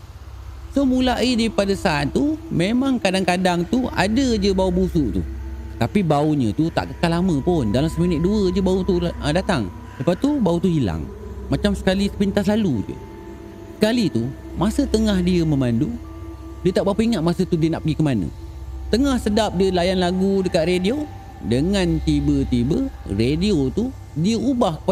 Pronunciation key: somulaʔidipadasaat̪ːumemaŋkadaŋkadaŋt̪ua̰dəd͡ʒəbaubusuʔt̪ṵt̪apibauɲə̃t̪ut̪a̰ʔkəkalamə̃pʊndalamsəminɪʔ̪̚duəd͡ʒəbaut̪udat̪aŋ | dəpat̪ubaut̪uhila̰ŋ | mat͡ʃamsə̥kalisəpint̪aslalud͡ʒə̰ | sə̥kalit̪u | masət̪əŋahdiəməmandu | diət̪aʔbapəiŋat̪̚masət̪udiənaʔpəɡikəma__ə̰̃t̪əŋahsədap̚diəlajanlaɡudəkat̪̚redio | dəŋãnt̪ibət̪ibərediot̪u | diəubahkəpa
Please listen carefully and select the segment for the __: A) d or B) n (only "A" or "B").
B